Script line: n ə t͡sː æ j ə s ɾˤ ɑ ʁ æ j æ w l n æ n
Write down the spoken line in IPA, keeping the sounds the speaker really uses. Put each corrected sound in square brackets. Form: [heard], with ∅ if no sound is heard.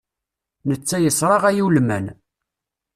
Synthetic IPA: n ə t͡sː æ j ə s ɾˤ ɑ ʁ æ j [i] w l [m] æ n